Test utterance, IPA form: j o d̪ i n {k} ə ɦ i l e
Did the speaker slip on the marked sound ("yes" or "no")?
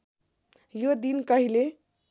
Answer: no